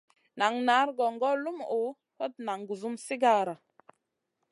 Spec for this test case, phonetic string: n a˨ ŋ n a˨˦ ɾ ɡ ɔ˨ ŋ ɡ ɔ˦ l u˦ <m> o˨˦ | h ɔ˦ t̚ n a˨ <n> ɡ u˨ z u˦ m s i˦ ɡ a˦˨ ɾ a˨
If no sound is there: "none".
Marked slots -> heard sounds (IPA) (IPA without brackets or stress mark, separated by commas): m, ŋ